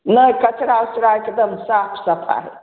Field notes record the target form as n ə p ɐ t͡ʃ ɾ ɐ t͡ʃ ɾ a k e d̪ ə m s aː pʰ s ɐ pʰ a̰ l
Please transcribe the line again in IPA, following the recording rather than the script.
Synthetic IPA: n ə k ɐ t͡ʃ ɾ a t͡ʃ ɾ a k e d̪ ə m s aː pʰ s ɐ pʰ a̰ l